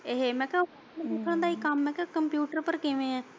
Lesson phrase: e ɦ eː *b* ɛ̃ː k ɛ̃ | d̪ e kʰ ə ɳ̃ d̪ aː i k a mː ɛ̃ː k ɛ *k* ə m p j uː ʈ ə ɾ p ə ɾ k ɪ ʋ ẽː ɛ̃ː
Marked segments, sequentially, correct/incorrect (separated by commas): incorrect, correct